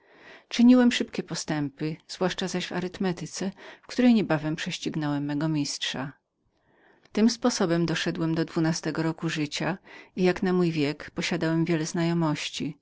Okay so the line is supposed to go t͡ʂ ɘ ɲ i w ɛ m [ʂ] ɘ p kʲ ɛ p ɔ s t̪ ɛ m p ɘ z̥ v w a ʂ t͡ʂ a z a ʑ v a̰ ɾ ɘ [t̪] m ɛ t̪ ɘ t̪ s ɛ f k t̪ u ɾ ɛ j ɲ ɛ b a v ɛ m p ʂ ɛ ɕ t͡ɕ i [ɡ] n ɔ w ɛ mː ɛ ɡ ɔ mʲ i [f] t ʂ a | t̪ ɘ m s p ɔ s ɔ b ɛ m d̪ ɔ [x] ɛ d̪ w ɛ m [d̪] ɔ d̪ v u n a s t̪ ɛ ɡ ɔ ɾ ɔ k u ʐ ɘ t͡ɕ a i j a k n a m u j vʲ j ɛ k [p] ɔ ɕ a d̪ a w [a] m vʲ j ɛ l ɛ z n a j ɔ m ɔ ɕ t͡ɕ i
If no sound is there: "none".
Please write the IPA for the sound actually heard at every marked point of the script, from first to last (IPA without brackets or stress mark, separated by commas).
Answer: ʂ, t̪, ɡ, s, ʂ, d̪, p, ɛ